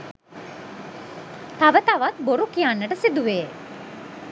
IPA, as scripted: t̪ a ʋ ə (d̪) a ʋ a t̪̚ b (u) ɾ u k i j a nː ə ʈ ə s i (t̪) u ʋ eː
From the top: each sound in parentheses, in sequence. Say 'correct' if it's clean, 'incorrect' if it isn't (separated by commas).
incorrect, incorrect, incorrect